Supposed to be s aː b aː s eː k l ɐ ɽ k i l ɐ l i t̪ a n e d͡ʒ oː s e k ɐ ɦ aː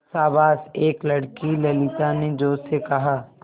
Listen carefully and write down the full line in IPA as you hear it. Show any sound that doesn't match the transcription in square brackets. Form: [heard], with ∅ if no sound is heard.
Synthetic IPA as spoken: s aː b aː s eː k l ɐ ɽ k i l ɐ l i t̪ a n e d͡ʒ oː s e k ɐ ɦ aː